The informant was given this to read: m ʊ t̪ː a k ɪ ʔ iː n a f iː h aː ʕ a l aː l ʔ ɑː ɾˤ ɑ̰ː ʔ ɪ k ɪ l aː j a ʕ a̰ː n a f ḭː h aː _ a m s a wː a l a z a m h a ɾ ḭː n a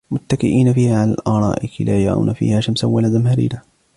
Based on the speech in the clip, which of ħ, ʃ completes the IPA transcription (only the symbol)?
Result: ʃ